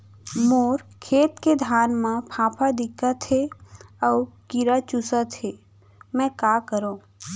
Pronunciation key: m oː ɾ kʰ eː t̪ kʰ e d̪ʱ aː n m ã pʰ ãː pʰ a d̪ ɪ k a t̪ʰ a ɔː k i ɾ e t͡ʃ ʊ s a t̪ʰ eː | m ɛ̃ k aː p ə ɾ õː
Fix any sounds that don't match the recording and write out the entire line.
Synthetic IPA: m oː ɾ kʰ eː t̪ k e d̪ʱ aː n m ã pʰ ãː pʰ a d̪ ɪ k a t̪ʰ e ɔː k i ɾ a t͡ʃ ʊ s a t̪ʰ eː | m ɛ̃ k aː k ə ɾ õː